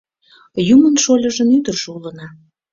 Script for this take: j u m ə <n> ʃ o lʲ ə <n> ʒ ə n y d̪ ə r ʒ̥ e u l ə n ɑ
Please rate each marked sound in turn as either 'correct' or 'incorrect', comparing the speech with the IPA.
correct, incorrect

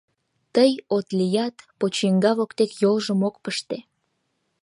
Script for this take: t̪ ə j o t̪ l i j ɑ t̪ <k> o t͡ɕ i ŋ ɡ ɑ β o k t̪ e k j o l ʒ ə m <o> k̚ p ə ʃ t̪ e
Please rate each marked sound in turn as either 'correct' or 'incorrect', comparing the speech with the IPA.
incorrect, correct

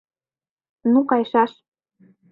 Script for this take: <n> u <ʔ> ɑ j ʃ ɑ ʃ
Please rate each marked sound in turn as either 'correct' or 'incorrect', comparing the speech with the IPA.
correct, incorrect

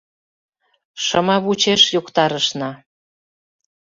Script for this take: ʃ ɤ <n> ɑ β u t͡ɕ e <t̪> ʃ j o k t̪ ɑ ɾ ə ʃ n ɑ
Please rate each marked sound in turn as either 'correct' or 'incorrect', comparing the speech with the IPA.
incorrect, incorrect

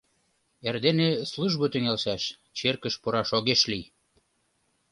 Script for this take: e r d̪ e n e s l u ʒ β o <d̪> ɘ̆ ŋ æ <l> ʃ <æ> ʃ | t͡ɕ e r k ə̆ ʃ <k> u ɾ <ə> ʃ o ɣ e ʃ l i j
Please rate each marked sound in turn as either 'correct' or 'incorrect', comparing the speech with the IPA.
incorrect, correct, correct, incorrect, incorrect

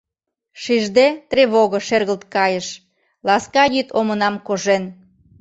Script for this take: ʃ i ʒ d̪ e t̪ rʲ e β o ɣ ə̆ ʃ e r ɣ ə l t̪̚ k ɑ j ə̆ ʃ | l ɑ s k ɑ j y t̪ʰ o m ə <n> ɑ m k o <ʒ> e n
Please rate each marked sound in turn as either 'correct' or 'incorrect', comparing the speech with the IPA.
correct, correct

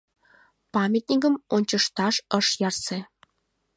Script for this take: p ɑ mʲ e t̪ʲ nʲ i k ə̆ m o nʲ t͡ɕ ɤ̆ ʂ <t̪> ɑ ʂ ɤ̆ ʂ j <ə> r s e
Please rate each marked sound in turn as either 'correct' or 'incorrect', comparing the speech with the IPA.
correct, incorrect

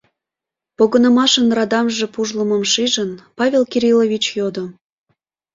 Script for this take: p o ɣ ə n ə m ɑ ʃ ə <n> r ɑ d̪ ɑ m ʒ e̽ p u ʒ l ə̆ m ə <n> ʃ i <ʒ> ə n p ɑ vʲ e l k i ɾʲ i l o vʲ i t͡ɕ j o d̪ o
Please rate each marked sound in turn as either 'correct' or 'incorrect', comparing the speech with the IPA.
correct, incorrect, correct

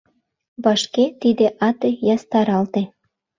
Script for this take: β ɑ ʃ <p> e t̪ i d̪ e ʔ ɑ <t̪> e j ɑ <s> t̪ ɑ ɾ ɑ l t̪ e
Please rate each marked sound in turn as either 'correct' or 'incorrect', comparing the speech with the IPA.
incorrect, correct, correct

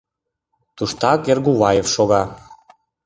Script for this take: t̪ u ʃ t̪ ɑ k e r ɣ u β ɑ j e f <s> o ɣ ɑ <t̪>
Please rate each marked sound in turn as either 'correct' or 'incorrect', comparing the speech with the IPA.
incorrect, incorrect

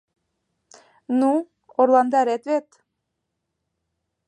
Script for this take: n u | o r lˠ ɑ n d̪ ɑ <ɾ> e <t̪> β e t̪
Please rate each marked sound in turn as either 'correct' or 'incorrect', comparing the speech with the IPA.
correct, correct

